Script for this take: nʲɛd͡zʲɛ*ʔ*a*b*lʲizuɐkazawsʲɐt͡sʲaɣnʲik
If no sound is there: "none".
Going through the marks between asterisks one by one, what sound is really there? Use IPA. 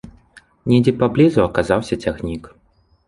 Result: p, b

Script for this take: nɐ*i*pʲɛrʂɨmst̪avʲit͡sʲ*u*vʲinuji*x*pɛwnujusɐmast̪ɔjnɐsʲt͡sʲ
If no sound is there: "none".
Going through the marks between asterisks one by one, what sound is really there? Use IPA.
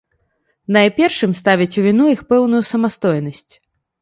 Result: j, u, x

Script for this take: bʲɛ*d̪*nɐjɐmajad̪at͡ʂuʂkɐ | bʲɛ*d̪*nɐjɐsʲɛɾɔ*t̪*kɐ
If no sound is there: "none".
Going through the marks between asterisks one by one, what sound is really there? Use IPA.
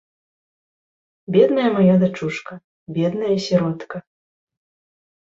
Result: d̪, d̪, t̪

